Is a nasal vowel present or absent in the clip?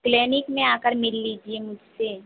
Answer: present